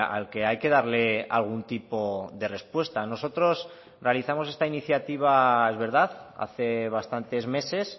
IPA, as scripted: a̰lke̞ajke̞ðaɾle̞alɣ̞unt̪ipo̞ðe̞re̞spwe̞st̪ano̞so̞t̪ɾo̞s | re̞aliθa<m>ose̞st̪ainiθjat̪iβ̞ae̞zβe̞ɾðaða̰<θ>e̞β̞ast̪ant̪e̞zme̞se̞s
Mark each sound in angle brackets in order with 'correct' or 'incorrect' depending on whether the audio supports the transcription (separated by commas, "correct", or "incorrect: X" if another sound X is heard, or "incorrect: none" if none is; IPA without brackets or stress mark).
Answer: correct, correct